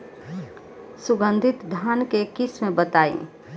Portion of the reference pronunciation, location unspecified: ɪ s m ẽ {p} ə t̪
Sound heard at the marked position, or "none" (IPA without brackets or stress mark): b